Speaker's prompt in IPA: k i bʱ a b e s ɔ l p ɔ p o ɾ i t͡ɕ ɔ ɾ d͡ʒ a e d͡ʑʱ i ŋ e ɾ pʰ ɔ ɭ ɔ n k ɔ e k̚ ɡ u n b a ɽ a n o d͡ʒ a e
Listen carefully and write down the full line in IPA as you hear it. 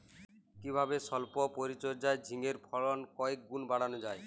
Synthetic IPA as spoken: k i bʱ a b e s ɔ l p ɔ p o ɾ i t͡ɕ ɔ ɾ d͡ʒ a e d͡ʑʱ i ŋ e ɾ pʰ ɔ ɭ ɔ n k ɔ e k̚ ɡ u n b a ɽ a n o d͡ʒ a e